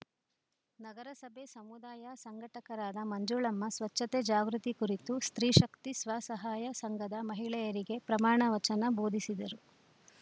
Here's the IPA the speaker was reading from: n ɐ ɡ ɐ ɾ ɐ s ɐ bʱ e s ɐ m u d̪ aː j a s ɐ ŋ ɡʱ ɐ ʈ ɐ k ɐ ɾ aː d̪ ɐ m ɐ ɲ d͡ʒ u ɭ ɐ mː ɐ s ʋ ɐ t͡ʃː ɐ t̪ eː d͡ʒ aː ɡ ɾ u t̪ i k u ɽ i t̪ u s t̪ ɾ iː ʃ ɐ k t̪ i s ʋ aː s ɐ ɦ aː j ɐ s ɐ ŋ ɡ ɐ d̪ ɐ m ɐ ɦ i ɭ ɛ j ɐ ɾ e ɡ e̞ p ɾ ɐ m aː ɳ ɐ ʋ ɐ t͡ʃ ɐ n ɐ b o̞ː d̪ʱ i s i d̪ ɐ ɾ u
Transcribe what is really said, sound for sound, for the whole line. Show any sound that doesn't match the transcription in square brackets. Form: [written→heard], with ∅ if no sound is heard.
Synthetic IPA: n ɐ ɡ ɐ ɾ ɐ s ɐ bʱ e s ɐ m u d̪ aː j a s ɐ ŋ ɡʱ ɐ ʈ ɐ k ɐ ɾ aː d̪ ɐ m ɐ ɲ d͡ʒ u ɭ ɐ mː ɐ s ʋ ɐ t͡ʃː ɐ t̪ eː d͡ʒ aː ɡ ɾ u t̪ i k u [ɽ→ɾ] i t̪ u s t̪ ɾ iː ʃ ɐ k t̪ i s ʋ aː s ɐ ɦ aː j ɐ s ɐ ŋ ɡ ɐ d̪ ɐ m ɐ ɦ i ɭ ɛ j ɐ ɾ [e→i] ɡ e̞ p ɾ ɐ m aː ɳ ɐ ʋ ɐ t͡ʃ ɐ n ɐ b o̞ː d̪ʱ i s i d̪ ɐ ɾ u